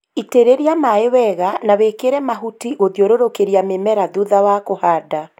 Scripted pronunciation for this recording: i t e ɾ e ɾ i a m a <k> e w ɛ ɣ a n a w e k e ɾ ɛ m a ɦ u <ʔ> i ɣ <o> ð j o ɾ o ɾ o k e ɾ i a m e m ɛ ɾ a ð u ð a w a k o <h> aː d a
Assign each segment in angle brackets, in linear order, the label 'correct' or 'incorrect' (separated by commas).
incorrect, incorrect, correct, correct